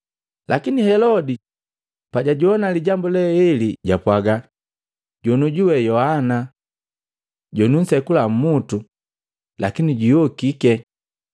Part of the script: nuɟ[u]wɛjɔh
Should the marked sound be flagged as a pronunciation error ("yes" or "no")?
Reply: no